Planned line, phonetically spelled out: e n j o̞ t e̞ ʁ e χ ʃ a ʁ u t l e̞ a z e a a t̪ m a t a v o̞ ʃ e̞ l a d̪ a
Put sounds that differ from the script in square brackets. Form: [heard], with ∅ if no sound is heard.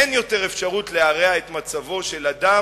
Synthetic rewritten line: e n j o̞ t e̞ ʁ e [f] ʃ a ʁ u t l e̞ a [ʁ] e a [e] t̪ m a [t͡s] a v o̞ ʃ e̞ l a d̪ a